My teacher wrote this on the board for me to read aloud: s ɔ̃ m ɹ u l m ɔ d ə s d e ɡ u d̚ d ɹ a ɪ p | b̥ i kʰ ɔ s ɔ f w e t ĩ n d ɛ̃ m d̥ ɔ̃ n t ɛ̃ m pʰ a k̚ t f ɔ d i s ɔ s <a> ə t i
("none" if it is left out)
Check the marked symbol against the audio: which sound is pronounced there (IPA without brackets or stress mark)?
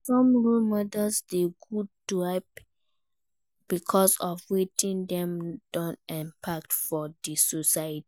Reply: a